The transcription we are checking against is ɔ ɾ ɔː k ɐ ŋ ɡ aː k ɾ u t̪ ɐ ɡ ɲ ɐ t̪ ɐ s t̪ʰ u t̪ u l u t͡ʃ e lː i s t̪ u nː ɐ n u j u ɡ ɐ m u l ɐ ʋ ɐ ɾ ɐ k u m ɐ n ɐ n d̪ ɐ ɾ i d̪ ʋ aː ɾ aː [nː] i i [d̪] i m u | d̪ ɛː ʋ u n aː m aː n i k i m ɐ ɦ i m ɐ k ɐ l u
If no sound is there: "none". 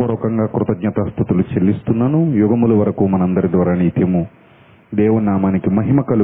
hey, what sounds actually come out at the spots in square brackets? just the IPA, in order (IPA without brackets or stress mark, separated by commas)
n, t̪